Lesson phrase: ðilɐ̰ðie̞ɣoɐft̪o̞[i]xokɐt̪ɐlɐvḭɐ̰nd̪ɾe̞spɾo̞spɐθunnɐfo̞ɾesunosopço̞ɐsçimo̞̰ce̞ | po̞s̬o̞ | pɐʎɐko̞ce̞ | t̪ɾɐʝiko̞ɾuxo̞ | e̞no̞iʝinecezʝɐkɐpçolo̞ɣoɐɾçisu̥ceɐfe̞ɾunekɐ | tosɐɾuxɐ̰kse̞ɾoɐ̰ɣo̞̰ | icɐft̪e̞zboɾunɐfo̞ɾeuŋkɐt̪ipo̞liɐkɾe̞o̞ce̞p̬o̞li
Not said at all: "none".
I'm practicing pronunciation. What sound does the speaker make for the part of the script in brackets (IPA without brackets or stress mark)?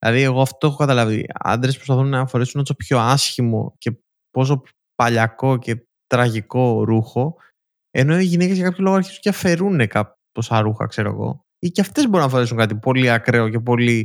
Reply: e